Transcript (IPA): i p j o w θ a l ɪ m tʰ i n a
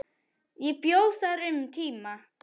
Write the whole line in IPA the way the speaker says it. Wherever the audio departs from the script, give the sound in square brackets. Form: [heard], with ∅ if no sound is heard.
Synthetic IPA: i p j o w [s] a [ɾ] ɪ m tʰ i [m] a

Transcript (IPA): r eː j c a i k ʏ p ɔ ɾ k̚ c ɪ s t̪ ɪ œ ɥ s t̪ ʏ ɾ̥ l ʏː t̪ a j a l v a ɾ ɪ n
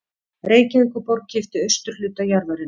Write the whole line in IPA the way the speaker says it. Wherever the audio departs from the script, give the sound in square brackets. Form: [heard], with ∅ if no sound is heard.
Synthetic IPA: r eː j c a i k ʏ p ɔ ɾ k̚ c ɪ [f] t̪ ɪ œ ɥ s t̪ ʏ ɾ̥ l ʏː t̪ a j a [ɾ] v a ɾ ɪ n

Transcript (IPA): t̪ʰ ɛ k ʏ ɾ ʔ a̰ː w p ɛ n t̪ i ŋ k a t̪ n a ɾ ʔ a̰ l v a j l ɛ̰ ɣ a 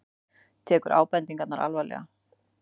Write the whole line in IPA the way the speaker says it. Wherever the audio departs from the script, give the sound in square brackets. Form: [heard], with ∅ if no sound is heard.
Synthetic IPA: t̪ʰ [ɛː] k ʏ ɾ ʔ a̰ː w p ɛ n t̪ i ŋ k a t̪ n a ɾ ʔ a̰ l v a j l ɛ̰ ɣ a

